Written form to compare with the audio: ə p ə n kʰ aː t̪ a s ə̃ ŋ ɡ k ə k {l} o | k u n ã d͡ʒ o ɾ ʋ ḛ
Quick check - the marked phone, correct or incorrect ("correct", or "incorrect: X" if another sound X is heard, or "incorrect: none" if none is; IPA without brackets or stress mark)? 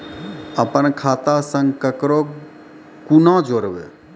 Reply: incorrect: ɾ